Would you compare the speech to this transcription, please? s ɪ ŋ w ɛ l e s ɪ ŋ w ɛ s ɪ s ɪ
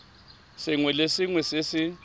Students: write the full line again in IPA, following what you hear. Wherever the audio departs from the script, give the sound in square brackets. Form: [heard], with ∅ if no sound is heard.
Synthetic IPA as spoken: s ɪ ŋ w ɛ l e s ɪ ŋ w ɛ s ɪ s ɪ